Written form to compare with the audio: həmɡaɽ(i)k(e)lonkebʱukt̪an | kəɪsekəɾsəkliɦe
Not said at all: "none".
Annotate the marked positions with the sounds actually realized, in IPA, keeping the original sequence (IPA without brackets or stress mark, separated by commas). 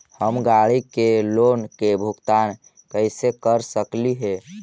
i, e